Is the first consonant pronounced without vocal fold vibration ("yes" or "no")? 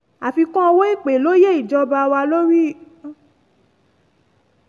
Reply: yes